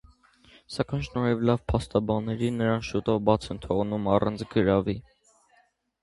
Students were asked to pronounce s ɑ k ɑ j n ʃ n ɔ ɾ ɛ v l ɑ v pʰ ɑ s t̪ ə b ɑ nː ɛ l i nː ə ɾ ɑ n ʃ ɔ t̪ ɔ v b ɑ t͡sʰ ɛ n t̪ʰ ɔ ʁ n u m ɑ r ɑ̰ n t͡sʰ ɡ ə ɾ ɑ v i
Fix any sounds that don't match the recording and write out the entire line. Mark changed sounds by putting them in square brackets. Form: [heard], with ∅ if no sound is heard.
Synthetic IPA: s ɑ k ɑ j n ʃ n ɔ ɾ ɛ v l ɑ v pʰ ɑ s t̪ [ɑ] b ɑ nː ɛ [ɾ] i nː ə ɾ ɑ n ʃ [u] t̪ ɔ v b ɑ t͡sʰ ɛ n t̪ʰ ɔ ʁ n u m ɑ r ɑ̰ n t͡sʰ ɡ ə ɾ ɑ v i